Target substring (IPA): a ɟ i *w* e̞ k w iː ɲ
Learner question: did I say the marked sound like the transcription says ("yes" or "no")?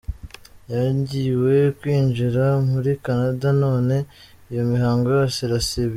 yes